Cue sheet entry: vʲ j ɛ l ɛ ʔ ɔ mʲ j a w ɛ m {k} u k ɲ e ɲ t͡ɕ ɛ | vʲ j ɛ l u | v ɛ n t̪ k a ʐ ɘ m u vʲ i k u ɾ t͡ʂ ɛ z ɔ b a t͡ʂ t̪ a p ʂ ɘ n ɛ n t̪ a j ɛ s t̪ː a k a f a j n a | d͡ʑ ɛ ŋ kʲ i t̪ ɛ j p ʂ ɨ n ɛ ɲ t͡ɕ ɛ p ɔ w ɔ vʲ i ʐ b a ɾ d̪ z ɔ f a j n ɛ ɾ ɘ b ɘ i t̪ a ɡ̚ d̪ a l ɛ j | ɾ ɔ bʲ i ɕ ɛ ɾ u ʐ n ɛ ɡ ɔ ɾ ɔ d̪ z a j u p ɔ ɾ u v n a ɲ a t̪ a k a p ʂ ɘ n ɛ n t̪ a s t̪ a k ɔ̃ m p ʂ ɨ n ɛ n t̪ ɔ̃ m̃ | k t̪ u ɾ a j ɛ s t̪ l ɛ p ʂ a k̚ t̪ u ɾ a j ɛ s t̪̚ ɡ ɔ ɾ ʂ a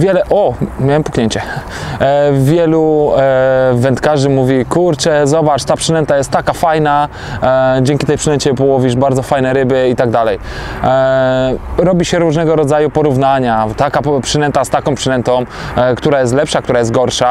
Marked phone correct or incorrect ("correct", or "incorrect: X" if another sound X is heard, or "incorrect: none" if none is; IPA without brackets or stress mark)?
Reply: incorrect: p